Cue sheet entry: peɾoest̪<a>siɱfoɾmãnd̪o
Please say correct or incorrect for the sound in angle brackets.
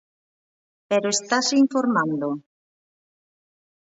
correct